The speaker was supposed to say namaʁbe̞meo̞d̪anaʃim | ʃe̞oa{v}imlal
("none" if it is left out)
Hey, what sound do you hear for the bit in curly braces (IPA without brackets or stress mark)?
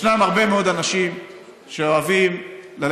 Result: v